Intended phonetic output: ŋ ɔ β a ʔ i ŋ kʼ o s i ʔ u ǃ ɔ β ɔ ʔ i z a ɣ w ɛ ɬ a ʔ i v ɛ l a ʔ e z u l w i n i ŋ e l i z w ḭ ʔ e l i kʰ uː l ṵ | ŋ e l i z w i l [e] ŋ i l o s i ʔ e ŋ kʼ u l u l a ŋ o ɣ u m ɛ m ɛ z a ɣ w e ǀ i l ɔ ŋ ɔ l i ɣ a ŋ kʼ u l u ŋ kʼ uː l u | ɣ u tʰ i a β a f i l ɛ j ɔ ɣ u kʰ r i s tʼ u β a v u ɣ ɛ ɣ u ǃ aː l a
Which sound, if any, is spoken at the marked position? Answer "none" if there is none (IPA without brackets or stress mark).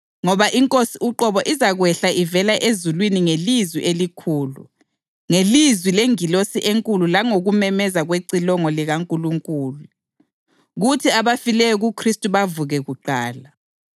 e